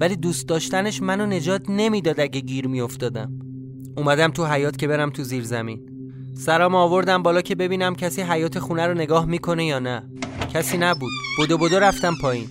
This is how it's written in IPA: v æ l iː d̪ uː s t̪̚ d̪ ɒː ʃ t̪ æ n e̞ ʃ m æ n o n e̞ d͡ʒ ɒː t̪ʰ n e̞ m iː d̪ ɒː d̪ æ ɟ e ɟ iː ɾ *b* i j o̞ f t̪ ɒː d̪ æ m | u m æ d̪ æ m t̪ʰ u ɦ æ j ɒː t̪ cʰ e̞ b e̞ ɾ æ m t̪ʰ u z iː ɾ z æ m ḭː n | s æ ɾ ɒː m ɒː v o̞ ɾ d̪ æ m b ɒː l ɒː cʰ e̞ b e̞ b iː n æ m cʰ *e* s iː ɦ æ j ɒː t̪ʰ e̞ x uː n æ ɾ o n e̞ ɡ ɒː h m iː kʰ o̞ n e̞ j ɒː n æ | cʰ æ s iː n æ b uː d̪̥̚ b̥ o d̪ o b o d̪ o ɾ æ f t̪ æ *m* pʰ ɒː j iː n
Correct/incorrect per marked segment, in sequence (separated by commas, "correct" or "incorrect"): incorrect, incorrect, correct